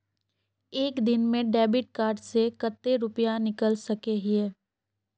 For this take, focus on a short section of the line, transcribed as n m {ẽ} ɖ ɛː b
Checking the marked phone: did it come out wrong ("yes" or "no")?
no